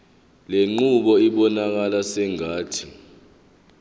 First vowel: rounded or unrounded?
unrounded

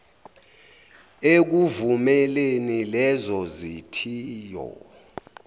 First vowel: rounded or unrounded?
unrounded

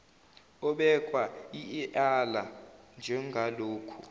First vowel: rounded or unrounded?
rounded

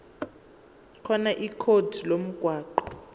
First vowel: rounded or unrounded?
rounded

